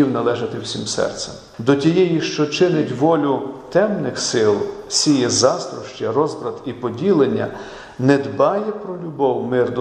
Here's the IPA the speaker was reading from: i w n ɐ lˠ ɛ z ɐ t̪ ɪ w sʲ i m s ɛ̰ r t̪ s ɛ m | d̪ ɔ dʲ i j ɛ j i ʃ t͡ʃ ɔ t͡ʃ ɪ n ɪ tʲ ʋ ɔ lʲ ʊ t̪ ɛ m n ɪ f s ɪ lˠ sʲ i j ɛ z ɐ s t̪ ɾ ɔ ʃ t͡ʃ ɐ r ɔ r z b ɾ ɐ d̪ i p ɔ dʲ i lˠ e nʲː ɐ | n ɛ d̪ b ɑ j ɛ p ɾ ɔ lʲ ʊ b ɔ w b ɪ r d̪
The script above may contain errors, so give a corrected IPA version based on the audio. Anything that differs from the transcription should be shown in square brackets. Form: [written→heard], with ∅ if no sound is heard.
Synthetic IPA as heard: i w n ɐ lˠ ɛ [z→ʒ] ɐ t̪ ɪ w sʲ i m s ɛ̰ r t̪ s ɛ m | d̪ ɔ [dʲ→tʲ] i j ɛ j i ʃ t͡ʃ ɔ t͡ʃ ɪ n ɪ tʲ ʋ ɔ lʲ ʊ t̪ ɛ m n ɪ [f→x] s ɪ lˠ sʲ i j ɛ z [ɐ→ɑ] s t̪ ɾ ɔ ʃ t͡ʃ ɐ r ɔ [r→∅] z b ɾ ɐ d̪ i p ɔ dʲ i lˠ e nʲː ɐ | n ɛ d̪ b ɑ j ɛ p ɾ ɔ lʲ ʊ b ɔ w [b→m] ɪ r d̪